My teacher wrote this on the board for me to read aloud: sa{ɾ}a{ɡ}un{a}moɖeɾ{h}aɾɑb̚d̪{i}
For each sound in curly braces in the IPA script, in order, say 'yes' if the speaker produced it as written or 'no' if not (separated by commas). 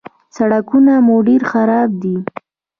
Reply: no, no, yes, no, yes